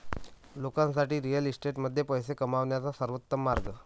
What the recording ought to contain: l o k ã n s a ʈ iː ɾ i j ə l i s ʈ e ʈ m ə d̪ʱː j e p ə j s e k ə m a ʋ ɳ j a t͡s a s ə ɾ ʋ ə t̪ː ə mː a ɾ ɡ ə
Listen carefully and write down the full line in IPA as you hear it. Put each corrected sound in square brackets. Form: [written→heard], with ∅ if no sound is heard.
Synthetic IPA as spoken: l o k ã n s a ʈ iː ɾ i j ə l i s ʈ e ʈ m ə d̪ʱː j e p ə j s e k ə m a ʋ ɳ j a t͡s a s ə ɾ ʋ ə t̪ː ə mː a ɾ ɡ ə